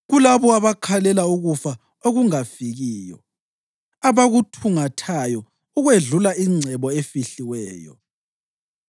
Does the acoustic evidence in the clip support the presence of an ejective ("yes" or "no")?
no